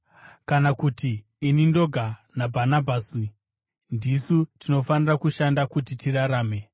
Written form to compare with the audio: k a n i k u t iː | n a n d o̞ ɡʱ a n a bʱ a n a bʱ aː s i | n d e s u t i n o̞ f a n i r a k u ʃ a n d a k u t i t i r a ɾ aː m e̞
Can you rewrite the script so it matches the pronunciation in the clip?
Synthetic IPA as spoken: k a n a k u t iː | n i n d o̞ ɡʱ a n a bʱ a n a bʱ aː s i | n d i s u t i n o̞ f a n i r a k u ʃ a n d a k u t i t i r a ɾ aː m e̞